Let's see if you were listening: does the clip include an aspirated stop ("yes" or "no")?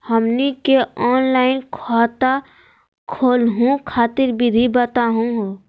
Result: yes